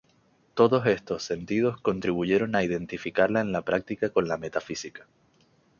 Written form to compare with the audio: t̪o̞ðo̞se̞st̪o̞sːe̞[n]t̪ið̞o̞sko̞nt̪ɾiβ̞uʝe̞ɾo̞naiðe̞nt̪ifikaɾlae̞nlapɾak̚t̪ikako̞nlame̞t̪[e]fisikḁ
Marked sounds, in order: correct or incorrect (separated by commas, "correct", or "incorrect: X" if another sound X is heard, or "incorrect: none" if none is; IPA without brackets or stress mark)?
correct, incorrect: a